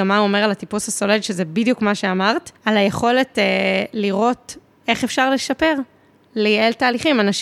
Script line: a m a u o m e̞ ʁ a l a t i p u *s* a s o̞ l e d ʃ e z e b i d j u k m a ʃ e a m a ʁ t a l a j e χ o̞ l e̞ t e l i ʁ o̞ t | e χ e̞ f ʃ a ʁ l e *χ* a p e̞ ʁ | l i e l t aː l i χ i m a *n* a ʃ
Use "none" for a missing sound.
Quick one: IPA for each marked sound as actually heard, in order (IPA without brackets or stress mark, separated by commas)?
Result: s, ʃ, n